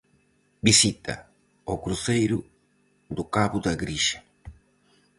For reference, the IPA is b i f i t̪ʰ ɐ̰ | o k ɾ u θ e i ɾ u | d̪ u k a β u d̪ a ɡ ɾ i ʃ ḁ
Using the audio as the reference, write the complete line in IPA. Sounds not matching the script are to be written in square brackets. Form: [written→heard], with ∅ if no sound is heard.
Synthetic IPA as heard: b i [f→s] i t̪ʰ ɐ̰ | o k ɾ u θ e [i→j] ɾ u | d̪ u k a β u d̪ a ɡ ɾ i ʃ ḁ